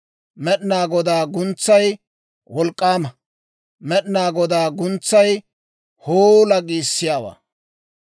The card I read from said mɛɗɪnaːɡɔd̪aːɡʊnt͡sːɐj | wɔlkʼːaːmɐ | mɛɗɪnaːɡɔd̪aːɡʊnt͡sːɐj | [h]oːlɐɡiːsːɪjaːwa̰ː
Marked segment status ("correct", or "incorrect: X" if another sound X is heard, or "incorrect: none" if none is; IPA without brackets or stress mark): correct